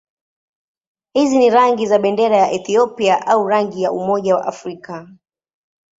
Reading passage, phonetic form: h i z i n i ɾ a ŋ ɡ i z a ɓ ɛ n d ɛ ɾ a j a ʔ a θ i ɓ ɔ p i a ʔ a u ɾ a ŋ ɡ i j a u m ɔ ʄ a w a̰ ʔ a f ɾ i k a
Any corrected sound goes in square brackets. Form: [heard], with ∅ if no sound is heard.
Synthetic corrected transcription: h i z i n i ɾ a ŋ ɡ i z a ɓ ɛ n d ɛ ɾ a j a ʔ [ɛ] θ i [∅] ɔ p i a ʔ a u ɾ a ŋ ɡ i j a u m ɔ ʄ a w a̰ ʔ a f ɾ i k a